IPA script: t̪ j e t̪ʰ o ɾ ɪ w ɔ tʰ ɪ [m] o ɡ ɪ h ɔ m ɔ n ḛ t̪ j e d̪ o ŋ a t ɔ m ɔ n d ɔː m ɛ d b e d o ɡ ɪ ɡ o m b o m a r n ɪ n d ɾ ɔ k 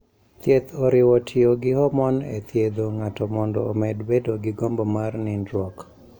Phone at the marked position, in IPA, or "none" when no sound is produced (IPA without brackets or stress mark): none